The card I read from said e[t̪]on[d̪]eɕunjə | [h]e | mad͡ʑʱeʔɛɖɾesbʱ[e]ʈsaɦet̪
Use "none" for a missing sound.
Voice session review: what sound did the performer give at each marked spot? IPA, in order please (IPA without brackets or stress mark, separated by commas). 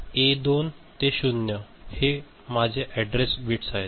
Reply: d̪, t̪, h, i